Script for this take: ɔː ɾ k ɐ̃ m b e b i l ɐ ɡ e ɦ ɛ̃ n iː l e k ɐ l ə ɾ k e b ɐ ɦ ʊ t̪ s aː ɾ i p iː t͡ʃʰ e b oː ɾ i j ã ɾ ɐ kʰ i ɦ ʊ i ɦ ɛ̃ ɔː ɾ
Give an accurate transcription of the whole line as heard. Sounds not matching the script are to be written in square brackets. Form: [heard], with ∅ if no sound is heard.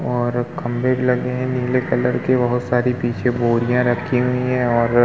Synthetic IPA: ɔː ɾ k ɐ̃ m b e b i l ɐ ɡ e ɦ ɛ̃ n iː l e k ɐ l ə ɾ k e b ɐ ɦ ʊ t̪ s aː ɾ i p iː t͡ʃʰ e b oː ɾ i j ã ɾ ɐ kʰ i ɦ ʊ i ɦ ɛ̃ ɔː ɾ